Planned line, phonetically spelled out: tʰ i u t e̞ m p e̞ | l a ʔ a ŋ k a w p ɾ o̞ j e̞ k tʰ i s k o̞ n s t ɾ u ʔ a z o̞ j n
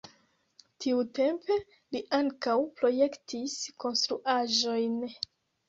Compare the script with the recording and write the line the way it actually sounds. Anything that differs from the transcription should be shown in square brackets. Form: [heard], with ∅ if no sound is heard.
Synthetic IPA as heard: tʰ i u t e̞ m p e̞ | l [i] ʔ a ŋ k a w p ɾ o̞ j e̞ k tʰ i s k o̞ n s t ɾ u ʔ a [ʒ] o̞ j n